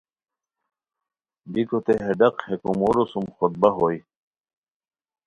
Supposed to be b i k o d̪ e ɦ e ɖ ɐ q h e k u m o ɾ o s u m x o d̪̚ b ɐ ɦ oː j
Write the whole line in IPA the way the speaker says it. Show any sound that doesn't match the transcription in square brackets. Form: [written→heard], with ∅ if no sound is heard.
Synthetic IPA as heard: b i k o [d̪→t̪] e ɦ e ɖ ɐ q h e k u m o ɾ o s u m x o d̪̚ b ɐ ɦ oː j